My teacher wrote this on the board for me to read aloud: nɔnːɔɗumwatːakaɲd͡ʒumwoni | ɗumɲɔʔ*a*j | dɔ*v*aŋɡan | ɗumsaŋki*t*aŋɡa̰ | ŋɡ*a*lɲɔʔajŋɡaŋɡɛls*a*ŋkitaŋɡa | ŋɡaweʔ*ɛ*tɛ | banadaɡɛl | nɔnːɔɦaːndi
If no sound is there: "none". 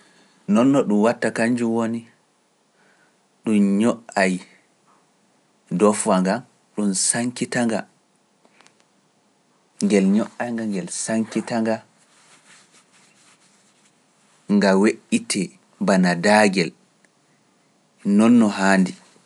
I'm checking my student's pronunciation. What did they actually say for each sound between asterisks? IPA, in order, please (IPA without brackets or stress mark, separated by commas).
a, f, t, ɛ, a, i